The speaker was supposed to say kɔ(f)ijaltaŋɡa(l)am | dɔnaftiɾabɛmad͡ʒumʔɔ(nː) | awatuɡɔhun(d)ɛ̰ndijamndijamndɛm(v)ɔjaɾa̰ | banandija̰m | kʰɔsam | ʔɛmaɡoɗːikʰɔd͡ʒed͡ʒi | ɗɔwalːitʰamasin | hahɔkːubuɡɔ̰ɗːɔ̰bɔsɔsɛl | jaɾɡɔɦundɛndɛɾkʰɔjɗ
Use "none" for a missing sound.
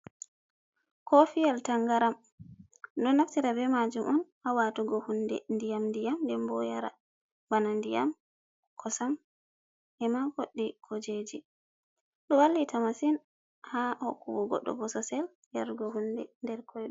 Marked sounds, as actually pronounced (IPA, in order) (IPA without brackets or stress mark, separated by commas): f, ɾ, n, d, b